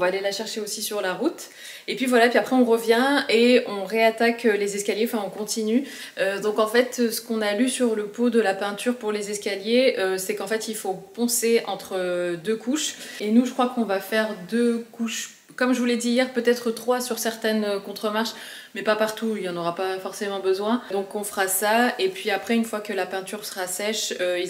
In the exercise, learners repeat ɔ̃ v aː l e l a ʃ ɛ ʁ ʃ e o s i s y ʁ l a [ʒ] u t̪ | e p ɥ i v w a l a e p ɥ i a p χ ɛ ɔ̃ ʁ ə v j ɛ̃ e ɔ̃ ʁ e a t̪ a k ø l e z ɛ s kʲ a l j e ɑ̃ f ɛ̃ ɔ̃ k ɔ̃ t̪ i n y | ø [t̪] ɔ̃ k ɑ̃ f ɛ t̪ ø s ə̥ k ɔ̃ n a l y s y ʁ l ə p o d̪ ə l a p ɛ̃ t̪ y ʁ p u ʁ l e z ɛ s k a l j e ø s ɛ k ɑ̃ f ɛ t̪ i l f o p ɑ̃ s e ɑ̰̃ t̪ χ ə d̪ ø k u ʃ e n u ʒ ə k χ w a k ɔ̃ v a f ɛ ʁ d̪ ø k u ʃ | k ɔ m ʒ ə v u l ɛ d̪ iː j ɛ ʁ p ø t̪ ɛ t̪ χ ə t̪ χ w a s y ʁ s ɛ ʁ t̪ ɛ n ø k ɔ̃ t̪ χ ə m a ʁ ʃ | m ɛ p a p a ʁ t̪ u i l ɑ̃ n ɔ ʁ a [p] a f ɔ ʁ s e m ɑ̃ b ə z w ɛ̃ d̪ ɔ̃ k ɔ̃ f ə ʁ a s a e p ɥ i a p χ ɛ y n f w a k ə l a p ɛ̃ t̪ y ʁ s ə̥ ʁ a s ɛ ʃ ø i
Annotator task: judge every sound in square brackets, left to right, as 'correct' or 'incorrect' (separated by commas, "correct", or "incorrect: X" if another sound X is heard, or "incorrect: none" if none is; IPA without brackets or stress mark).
incorrect: ʁ, incorrect: d̪, correct